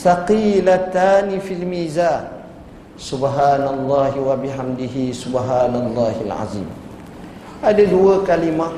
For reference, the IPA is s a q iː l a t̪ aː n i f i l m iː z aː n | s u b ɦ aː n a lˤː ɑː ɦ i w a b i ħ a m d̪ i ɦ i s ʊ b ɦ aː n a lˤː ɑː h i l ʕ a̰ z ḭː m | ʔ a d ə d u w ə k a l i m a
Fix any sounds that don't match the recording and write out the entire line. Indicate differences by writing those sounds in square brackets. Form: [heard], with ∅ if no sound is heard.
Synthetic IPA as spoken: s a q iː l a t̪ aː n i f i l m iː z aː n | s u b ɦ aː n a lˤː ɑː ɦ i w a b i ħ a m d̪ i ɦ i s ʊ b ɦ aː n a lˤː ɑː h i l ʕ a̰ z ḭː m | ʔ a d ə d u w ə k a l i m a